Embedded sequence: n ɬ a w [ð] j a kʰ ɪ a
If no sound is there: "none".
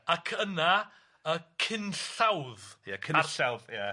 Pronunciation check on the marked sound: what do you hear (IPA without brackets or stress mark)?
ð